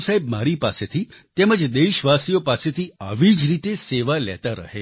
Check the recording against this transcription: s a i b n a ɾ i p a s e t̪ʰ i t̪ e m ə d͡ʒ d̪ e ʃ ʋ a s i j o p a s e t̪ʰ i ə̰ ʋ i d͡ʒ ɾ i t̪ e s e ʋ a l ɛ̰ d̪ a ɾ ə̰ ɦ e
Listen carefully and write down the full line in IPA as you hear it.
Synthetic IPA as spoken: s a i b m a ɾ i p a s e t̪ʰ i t̪ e m ə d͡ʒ d̪ e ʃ ʋ a s i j o p a s e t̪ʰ i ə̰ ʋ i d͡ʒ ɾ i t̪ e s e ʋ a l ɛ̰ t̪ a ɾ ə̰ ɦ e

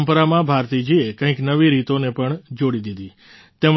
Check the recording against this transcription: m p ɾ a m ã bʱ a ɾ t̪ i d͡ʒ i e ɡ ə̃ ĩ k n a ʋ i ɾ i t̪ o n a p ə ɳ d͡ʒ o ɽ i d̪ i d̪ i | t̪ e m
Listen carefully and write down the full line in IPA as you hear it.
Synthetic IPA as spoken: m p ɾ a m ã bʱ a ɾ t̪ i d͡ʒ i e k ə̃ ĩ k n ə ʋ i ɾ i t̪ o n e p ə ɳ d͡ʒ o ɽ i d̪ i d̪ i | t̪ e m

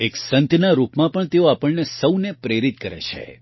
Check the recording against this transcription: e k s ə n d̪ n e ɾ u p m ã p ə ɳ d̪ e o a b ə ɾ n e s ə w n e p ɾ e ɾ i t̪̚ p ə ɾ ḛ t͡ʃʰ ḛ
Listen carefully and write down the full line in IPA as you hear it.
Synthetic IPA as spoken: e k s ə n t̪ n a ɾ u p m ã p ə ɳ t̪ e o a p ə ɭ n e s ə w n e p ɾ e ɾ i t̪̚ k ə ɾ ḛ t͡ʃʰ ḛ

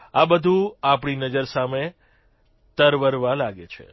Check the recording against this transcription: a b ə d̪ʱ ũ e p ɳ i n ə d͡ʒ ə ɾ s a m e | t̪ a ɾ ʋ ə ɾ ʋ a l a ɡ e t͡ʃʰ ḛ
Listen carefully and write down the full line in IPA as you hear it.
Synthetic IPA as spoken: a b ə d̪ʱ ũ a p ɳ i n ə d͡ʒ ə ɾ s a m e | t̪ ə ɾ ʋ ə ɾ ʋ a l a ɡ e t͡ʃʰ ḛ

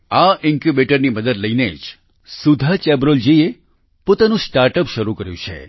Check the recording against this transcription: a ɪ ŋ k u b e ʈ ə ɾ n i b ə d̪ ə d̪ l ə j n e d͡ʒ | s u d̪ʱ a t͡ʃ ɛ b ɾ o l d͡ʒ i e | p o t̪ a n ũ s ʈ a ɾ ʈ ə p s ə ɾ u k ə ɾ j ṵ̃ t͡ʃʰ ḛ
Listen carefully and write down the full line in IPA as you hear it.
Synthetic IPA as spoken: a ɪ ŋ k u b e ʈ ə ɾ n i m ə d̪ ə d̪ l ə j n e d͡ʒ | s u d̪ʱ a t͡ʃ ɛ b ɾ o l d͡ʒ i e | p o t̪ a n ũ s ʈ a ɾ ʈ ə p ʃ ə ɾ u k ə ɾ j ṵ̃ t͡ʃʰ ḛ

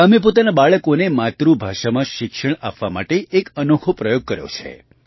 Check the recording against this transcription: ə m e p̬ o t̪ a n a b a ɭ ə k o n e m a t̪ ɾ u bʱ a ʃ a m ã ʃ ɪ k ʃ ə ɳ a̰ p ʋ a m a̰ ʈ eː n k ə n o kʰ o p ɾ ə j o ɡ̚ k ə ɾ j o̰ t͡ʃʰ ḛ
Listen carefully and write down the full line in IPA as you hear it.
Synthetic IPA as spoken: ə m e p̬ o t̪ a n a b a ɭ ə k o n e m a t̪ ɾ u bʱ a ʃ a m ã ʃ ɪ k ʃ ə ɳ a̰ p ʋ a m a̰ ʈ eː k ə n o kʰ o p ɾ ə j o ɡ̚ k ə ɾ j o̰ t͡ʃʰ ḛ

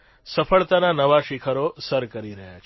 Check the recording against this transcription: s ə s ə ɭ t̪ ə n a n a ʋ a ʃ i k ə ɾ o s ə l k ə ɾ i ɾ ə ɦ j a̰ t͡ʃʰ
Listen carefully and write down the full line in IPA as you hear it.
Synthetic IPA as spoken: s ə f ə ɭ t̪ a n a n ə ʋ a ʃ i kʰ ə ɾ o s ə ɾ k ə ɾ i ɾ ə ɦ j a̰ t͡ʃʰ

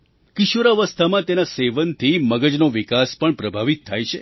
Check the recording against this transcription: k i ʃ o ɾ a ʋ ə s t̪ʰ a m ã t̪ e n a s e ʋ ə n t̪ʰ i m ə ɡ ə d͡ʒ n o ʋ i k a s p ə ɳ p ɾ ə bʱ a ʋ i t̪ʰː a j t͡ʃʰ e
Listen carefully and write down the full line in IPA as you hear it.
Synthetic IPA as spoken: k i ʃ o ɾ a ʋ ə s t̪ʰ a m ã t̪ e n a s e ʋ ə n t̪ʰ i m ə ɡ ə d͡ʒ n o ʋ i k a s p ə ɳ p ɾ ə bʱ a ʋ i t̪ʰː a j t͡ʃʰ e

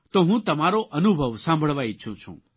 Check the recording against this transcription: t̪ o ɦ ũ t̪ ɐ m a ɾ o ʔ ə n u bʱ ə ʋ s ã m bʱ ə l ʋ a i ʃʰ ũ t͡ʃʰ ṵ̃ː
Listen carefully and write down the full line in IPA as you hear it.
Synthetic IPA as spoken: t̪ o ɦ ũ t̪ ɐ m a ɾ o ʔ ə n u bʱ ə ʋ s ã m bʱ ə ɭ ʋ a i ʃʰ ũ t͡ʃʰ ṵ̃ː

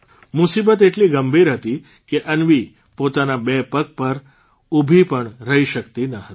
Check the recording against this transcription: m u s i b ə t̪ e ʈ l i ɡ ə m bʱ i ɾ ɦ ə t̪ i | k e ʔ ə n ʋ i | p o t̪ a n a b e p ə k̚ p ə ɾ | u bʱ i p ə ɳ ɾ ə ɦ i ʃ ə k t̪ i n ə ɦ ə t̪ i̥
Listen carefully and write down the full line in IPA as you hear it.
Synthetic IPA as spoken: m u s i b ə t̪ e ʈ l i ɡ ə m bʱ i ɾ ɦ ə t̪ i | k e ʔ ə n ʋ i | p o t̪ a n a b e p ə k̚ p ə ɾ | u bʱ i p ə ɳ ɾ ə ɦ i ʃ ə k t̪ i n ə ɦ ə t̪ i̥

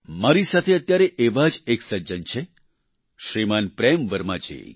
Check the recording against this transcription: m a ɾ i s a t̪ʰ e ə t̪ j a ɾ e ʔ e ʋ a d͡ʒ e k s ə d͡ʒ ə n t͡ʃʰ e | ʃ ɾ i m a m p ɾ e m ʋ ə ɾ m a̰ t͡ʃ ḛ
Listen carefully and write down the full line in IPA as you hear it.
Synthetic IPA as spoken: m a ɾ i s a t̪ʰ e ə t̪ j a ɾ e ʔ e ʋ a d͡ʒ e k s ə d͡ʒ ə n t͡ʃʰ e | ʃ ɾ i m a n p ɾ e m ʋ ə ɾ m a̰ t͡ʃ ḛ

